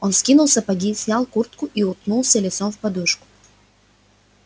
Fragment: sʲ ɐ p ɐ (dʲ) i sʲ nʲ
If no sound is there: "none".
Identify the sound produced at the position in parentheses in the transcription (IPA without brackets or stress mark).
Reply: ɡʲ